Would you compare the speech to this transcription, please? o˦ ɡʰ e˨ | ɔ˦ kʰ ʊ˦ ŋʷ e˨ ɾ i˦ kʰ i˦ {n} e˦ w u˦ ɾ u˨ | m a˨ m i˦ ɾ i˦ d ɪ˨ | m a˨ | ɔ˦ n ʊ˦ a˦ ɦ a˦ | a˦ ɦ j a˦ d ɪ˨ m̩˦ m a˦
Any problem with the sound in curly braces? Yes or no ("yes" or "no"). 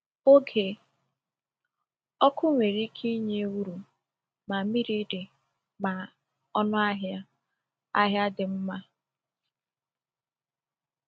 yes